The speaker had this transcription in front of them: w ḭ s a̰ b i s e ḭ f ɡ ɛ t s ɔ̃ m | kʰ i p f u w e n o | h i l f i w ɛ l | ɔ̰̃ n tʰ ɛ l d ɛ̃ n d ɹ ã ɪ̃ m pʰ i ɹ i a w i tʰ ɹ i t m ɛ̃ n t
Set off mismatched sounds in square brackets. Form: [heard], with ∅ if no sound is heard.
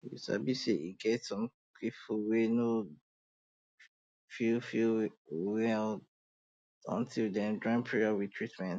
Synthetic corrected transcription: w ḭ s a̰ b i s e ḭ [∅] ɡ ɛ t s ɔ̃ m | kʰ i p f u w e n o | [f] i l f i w ɛ l | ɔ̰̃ n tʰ [i] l d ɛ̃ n d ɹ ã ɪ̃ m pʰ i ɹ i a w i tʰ ɹ i t m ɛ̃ n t

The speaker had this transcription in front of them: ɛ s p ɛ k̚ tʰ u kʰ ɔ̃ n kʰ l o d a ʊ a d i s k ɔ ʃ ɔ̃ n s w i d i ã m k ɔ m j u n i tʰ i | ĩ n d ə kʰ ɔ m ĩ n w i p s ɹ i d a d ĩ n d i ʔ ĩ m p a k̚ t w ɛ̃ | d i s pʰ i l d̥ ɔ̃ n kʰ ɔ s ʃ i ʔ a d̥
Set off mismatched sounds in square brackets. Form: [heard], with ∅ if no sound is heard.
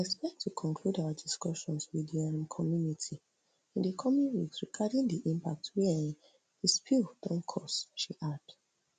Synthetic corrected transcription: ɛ s p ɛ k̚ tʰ u kʰ ɔ̃ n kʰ l [u] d a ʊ a d i s k ɔ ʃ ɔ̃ n s w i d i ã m [kʰ] ɔ m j u n i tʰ i | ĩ n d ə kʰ ɔ m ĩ n w i [k] s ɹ i [ɡ] a d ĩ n d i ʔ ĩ m p a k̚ t w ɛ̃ | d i s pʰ i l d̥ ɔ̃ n kʰ ɔ s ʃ i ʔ a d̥

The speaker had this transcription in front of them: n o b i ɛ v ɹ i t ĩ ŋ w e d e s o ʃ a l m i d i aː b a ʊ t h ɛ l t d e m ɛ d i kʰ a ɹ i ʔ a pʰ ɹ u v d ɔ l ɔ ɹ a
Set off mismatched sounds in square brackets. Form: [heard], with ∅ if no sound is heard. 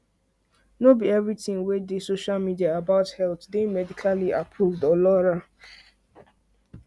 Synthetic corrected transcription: n o b i ɛ v ɹ i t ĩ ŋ w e d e s o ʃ a l m i d i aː b a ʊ t h ɛ l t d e m ɛ d i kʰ a [l] i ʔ a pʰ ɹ u v d ɔ l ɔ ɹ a

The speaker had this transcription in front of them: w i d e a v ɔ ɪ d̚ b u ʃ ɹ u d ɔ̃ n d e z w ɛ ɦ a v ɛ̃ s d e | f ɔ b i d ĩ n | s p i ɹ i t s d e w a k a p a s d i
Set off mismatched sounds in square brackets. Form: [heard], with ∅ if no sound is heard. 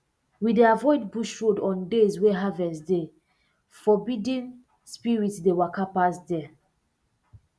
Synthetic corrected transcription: w i d e a v ɔ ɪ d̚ b u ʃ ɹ [o] d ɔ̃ n d e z w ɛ ɦ a v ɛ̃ s d e | f ɔ b i d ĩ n | s p i ɹ i t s d e w a k a p a s d [ɛ]

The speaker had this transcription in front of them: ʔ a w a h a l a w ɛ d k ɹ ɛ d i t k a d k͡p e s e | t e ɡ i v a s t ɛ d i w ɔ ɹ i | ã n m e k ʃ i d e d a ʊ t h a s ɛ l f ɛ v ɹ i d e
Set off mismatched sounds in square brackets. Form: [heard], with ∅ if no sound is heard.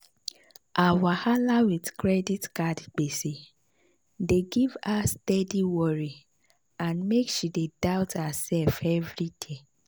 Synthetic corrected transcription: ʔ a w a h a l a w [i] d k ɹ ɛ d i t k a d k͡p e s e | [d] e ɡ i v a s t ɛ d i w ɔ ɹ i | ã n m e k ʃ i d e d a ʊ t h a s ɛ l f ɛ v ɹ i d e

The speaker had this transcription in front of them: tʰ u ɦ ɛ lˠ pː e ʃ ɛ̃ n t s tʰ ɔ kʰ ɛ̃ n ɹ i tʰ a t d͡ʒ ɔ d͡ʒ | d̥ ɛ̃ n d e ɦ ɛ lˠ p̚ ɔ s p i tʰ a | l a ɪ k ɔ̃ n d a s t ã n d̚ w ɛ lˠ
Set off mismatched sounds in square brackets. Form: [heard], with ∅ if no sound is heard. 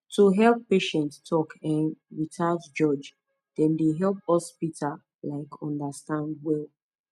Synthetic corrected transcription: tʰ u ɦ ɛ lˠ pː e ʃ ɛ̃ n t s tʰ ɔ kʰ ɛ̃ n ɹ i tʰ a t d͡ʒ ɔ d͡ʒ | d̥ ɛ̃ n d e ɦ ɛ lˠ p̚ ɔ s p i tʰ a | l a ɪ k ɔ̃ n d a s t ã n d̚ w ɛ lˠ

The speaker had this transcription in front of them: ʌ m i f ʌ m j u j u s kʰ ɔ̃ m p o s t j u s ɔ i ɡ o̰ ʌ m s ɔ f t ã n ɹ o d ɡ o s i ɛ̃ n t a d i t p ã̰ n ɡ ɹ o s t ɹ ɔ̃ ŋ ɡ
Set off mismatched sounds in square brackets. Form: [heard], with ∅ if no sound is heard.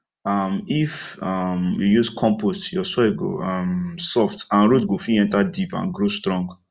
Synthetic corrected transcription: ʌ m i f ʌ m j u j u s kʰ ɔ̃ m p o s t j [ɔ] s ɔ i ɡ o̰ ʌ m s ɔ f t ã n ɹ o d ɡ o [f] i ɛ̃ n t a d i [∅] p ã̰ n ɡ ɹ o s t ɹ ɔ̃ ŋ ɡ

